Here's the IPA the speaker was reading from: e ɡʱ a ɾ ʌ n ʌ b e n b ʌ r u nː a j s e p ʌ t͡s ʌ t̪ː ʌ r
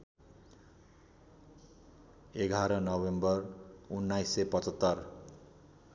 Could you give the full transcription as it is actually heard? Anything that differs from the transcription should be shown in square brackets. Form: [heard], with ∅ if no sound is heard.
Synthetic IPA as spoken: e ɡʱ a ɾ ʌ n ʌ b e [m] b ʌ r u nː a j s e p ʌ t͡s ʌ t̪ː ʌ r